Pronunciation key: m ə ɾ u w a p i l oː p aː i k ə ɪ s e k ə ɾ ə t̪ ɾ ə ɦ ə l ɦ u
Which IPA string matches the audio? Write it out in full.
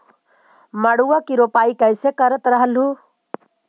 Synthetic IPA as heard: m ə ɽ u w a k i ɾ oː p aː i k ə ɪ s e k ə ɾ ə t̪ ɾ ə ɦ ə l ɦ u